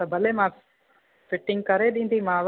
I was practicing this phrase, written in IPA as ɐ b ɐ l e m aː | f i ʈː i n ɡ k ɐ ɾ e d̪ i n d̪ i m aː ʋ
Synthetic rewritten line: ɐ b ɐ l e m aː | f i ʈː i ŋ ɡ k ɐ ɾ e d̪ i n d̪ i m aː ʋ